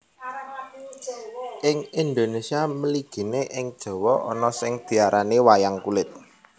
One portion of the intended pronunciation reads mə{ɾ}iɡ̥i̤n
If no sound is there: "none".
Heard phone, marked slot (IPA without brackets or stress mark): l